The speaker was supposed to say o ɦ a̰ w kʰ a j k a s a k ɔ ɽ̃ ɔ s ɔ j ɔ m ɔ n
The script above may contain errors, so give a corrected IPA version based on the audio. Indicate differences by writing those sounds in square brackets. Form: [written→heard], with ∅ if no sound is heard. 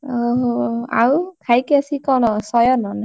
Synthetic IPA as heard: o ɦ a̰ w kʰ a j k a s [a→i] k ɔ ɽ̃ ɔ s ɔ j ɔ [m→n] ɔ n